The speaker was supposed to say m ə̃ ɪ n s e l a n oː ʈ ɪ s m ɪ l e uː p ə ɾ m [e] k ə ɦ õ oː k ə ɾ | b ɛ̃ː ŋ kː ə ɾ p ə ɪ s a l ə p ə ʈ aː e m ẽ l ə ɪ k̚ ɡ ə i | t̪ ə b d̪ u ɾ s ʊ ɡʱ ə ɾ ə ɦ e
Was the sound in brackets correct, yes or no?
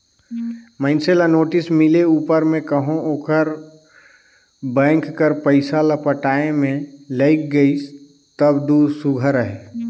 no